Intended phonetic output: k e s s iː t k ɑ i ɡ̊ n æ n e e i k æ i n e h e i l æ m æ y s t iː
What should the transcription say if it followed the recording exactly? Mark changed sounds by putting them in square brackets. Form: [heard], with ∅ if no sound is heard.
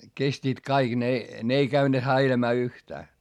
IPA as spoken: k e s [t] iː t k ɑ i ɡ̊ n [e] n e e i k æ [y] n e h [æ] i l æ m [æː] y [h] t [æː]